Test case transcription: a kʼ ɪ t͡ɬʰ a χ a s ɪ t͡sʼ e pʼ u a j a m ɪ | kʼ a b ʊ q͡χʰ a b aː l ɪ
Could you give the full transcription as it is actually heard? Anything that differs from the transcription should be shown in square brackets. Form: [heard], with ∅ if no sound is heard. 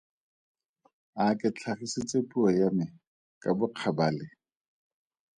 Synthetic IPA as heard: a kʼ ɪ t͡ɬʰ a χ [i] s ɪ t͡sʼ e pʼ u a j a m ɪ | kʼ a b ʊ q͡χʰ a b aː l ɪ